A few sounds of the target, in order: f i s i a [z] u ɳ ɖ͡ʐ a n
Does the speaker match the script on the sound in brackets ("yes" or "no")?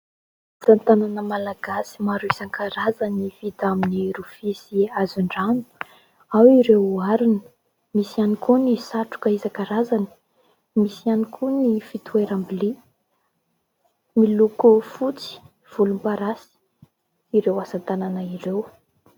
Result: yes